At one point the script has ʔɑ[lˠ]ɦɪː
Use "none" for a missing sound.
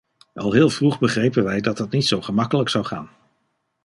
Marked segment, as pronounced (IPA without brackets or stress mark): lˠ